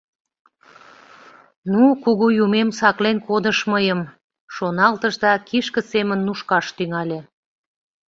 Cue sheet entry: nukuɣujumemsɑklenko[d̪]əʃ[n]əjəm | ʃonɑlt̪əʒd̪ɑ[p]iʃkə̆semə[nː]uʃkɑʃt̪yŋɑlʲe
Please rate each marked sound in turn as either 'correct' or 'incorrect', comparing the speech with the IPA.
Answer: correct, incorrect: m, incorrect: k, correct

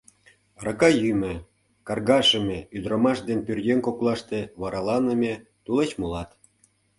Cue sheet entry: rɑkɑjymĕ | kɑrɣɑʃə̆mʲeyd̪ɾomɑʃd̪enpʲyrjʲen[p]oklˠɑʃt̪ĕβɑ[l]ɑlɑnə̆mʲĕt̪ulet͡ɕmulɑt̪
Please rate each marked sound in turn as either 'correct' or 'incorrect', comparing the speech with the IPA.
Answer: incorrect: k, incorrect: ɾ

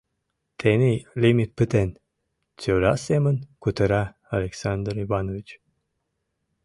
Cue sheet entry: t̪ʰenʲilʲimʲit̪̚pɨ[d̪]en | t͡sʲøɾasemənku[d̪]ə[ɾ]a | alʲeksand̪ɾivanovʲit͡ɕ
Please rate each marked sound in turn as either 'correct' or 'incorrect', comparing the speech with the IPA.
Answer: incorrect: t̪, incorrect: t̪, correct

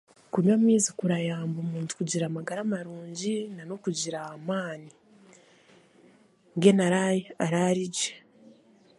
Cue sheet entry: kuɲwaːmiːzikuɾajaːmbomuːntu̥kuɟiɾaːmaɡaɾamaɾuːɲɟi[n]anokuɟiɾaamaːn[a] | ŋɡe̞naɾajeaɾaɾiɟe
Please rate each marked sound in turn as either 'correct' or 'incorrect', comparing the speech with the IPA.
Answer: correct, incorrect: i

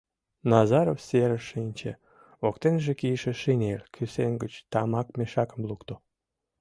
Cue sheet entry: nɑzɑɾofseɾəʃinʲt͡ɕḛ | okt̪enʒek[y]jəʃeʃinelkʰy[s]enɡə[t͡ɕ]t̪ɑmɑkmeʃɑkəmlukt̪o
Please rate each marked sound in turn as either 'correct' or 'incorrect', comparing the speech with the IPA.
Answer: incorrect: i, correct, correct

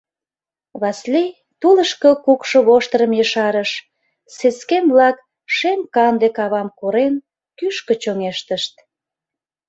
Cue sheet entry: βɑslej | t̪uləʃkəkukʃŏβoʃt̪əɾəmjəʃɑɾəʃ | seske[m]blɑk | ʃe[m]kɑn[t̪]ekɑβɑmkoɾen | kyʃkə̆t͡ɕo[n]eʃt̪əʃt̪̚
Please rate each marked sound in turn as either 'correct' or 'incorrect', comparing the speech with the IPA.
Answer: correct, correct, incorrect: d̪, incorrect: ŋ

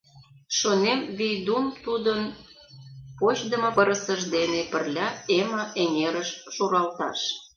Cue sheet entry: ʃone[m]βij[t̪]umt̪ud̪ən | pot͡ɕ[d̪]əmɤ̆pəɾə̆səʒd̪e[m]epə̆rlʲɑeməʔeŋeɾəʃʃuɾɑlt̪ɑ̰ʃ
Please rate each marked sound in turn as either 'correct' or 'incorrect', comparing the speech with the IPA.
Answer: correct, incorrect: d̪, correct, incorrect: n

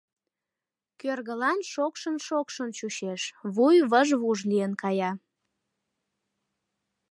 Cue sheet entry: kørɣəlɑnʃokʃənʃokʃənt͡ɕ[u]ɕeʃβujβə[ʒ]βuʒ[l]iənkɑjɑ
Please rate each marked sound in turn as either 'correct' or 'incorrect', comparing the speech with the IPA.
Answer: correct, correct, correct

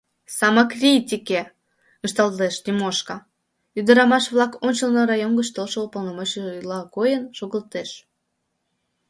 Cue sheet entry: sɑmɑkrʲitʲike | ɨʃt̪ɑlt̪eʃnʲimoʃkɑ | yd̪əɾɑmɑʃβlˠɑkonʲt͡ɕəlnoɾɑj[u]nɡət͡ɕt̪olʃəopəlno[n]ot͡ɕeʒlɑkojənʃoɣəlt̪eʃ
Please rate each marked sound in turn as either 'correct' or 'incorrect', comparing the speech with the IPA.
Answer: incorrect: o, incorrect: m

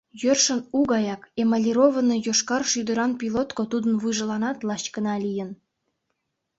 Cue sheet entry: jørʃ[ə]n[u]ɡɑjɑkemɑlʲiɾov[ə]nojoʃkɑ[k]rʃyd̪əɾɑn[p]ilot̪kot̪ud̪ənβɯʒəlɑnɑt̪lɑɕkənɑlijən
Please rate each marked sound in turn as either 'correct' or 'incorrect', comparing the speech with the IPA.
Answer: correct, correct, correct, incorrect: none, correct

